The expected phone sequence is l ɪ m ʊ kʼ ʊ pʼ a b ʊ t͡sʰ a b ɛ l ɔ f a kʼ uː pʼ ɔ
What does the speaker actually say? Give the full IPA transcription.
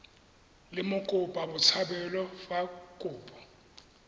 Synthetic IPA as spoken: l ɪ m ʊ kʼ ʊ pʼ a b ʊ t͡sʰ a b ɛ l ɔ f a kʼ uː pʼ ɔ